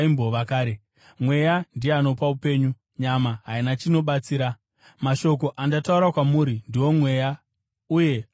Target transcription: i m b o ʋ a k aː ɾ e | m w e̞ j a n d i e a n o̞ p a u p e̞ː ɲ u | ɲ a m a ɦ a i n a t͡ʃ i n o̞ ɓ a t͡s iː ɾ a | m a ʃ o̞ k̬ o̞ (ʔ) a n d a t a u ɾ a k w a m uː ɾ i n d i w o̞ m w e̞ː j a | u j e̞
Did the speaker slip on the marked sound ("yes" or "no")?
no